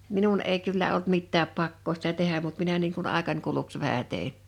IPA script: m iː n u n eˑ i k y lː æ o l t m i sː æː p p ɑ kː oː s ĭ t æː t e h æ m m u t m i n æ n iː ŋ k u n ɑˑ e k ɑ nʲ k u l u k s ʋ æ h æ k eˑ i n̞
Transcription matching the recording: m i n u n eˑ i k y lː æ o l t m i tː æː p p ɑ kː oː s ĭ t æ t e h æ m m u t m i n æ n iː ŋ k u n ɑˑ e k ɑ nʲ k u l u k s ʋ æ h æ t eˑ i n̞